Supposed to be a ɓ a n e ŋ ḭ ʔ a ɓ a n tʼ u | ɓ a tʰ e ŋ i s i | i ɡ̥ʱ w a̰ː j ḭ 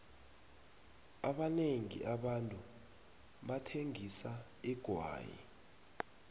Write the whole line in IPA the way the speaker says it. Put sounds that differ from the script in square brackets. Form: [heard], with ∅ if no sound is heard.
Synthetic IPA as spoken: a ɓ a n e ŋ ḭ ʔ a ɓ a n tʼ u | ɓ a tʰ e ŋ i s [a] | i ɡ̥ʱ w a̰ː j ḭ